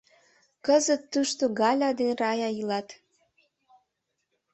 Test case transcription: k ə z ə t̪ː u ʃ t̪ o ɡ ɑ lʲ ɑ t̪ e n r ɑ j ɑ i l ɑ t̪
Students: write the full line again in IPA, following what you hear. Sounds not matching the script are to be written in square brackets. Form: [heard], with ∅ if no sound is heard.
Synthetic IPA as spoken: k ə z ə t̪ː u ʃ t̪ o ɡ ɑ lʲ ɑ [d̪] e n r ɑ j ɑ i l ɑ t̪